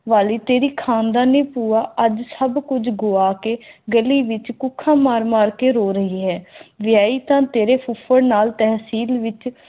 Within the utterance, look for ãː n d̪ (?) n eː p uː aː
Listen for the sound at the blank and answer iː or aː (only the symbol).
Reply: aː